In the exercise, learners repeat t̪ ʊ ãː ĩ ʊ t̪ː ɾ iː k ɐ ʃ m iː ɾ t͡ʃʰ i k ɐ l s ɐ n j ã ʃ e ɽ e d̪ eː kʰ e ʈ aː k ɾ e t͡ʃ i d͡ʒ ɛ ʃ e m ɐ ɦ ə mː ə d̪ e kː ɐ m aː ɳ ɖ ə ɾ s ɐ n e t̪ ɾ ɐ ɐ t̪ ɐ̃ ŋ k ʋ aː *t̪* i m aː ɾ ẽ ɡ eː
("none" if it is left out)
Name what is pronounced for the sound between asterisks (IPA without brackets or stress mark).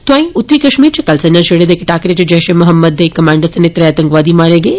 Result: d̪